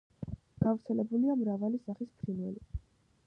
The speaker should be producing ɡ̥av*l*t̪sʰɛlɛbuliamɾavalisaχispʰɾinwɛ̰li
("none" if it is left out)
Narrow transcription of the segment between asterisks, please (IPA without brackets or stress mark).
ɾ